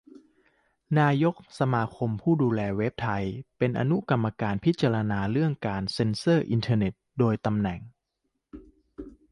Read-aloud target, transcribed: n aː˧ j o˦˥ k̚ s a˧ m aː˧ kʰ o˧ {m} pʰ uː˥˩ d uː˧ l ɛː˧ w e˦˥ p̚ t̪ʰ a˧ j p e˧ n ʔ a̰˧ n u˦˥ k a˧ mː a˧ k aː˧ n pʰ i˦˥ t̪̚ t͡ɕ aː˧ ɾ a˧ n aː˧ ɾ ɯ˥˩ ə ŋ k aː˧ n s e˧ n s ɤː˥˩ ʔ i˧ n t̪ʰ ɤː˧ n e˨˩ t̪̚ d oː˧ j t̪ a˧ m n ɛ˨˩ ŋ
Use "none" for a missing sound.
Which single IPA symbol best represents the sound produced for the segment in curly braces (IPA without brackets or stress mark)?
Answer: m